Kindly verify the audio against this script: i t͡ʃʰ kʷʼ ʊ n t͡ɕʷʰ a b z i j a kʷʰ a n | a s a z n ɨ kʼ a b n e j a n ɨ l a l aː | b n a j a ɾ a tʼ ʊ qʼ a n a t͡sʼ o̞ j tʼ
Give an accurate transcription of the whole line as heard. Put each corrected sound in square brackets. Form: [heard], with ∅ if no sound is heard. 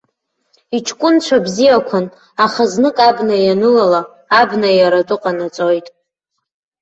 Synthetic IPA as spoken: i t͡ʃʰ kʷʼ ʊ n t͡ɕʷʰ a b z i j a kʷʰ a n | a [χ] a z n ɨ kʼ a b n [a] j a n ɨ l a l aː | b n a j a ɾ a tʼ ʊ qʼ a n a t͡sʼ o̞ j tʼ